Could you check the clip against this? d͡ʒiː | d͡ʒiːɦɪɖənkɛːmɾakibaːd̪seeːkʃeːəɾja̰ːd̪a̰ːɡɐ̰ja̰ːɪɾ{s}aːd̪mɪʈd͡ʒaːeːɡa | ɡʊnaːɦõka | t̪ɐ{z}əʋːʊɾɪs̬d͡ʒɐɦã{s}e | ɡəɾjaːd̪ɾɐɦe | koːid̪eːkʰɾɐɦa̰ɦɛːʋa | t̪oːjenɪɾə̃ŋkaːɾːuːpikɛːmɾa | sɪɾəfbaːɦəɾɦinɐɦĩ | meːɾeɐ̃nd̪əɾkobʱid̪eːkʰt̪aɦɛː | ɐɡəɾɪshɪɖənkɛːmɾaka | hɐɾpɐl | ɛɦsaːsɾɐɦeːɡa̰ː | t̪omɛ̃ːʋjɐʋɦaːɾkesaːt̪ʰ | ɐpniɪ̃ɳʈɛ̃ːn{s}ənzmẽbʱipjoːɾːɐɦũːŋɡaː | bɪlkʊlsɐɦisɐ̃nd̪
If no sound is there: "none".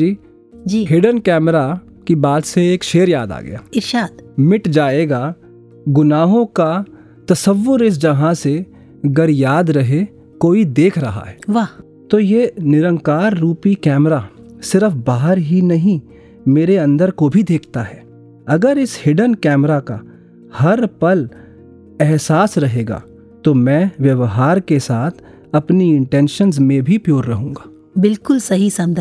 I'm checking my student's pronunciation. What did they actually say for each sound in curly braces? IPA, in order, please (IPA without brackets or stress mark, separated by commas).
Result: ʃ, s, s, ʃ